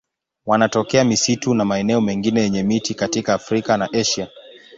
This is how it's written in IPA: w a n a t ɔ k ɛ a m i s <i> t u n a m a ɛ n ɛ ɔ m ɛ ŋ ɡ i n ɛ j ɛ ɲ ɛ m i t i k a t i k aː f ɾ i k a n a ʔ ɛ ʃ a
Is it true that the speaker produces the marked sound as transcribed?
yes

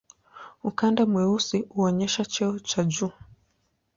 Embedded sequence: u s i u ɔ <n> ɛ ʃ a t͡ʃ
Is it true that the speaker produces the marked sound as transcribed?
no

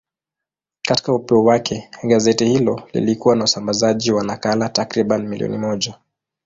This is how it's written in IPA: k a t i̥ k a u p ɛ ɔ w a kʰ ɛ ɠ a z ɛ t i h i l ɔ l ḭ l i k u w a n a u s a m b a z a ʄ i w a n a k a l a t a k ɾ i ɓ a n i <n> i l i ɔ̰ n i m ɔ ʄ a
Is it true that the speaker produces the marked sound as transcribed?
no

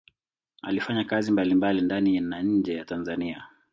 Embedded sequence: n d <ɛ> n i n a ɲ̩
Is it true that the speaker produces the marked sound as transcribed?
no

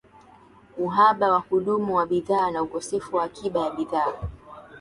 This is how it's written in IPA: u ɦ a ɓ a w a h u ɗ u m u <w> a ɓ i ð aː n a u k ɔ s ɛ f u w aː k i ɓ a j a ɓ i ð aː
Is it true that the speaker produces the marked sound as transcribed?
yes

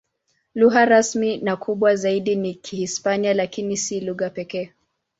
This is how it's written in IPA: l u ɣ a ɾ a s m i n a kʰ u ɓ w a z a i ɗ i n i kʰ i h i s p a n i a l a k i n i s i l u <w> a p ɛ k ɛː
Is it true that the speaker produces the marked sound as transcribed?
no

